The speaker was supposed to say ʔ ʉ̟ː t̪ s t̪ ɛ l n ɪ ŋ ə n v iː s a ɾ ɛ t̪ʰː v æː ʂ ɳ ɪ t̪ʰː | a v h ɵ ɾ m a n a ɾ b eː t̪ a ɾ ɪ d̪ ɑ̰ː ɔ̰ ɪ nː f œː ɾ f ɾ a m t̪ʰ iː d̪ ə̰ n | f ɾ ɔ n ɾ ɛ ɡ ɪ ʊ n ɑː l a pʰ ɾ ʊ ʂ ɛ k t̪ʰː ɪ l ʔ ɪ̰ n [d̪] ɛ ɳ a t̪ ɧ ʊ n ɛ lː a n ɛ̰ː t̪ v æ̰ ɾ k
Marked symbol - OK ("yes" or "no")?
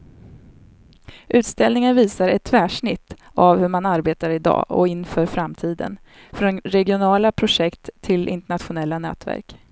no